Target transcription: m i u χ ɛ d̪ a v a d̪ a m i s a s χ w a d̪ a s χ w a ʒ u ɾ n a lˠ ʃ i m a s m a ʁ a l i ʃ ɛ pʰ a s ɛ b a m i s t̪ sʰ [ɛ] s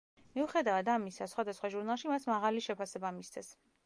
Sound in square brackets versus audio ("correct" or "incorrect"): correct